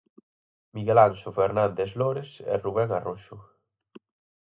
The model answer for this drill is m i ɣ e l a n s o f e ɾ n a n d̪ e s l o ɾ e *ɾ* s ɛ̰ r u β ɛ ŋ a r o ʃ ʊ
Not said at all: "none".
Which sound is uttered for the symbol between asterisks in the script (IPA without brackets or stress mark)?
none